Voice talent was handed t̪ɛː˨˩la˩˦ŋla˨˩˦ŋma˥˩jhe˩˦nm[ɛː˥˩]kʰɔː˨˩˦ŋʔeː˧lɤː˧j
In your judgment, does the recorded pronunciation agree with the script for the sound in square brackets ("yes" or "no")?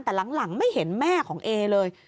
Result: yes